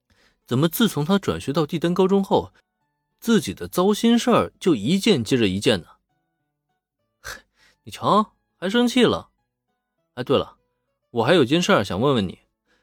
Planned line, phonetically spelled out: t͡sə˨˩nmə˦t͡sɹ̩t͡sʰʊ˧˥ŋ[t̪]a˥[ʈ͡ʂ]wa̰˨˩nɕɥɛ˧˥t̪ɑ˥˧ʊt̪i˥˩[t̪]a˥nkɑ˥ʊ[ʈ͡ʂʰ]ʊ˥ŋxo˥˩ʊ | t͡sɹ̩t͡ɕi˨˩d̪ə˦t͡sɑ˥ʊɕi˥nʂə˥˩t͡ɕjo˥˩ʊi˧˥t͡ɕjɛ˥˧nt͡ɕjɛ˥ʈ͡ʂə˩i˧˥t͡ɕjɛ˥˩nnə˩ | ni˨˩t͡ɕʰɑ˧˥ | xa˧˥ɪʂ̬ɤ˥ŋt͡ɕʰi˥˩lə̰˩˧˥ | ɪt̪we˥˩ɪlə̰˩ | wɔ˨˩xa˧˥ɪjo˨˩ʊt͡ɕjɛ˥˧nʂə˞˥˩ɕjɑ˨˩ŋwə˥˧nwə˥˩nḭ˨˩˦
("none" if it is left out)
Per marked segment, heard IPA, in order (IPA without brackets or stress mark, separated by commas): t̪ʰ, ʈ͡ʂ, t̪, ʈ͡ʂ